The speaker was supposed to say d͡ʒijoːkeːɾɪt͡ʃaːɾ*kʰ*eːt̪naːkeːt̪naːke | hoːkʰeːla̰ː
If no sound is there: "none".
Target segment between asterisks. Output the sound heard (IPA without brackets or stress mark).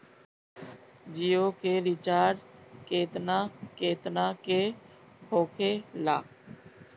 k